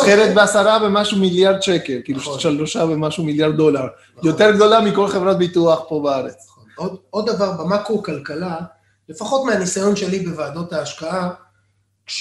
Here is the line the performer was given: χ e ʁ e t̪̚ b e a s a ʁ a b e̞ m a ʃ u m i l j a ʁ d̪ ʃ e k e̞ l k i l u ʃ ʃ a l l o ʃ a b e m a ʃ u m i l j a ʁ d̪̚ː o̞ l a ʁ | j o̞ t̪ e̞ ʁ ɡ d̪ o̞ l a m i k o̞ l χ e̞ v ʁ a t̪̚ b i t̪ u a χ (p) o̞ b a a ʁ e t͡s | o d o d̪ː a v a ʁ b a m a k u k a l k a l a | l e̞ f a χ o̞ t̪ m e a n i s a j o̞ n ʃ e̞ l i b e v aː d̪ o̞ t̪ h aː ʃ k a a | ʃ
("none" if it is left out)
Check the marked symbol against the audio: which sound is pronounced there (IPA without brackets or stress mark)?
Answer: p